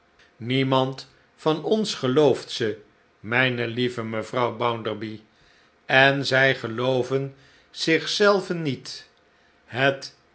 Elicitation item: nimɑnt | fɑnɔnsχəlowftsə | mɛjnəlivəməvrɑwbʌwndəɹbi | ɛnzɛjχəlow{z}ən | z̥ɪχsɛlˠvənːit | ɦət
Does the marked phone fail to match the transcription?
yes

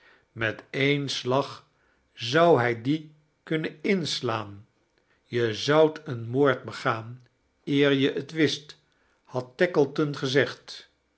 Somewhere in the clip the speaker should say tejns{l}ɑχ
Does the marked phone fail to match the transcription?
no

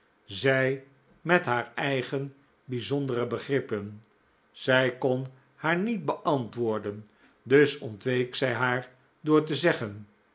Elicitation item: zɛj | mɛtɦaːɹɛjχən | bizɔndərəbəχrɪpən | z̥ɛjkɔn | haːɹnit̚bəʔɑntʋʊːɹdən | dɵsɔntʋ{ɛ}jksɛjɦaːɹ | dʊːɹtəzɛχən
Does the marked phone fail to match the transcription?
yes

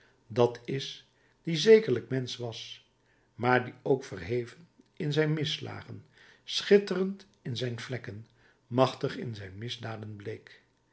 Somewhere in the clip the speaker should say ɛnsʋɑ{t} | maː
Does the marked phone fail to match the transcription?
yes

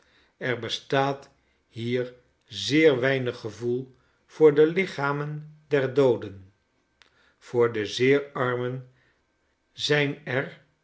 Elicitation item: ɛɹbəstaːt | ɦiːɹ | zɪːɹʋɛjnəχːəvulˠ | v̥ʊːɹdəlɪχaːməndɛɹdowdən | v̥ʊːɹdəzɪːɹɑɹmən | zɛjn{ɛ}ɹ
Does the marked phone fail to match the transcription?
no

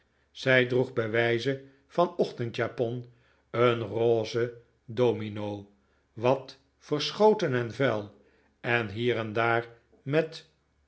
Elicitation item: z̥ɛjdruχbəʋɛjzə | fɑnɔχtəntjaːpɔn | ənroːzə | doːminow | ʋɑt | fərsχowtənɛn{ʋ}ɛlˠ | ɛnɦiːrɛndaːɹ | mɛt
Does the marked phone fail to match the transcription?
yes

